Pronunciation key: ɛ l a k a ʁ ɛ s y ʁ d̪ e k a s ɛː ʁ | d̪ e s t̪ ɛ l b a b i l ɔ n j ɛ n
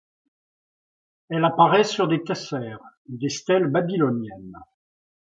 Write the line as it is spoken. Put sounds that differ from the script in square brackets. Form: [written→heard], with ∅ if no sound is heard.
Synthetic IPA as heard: ɛ l a [k→p] a ʁ ɛ s y ʁ d̪ e k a s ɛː ʁ | d̪ e s t̪ ɛ l b a b i l ɔ n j ɛ n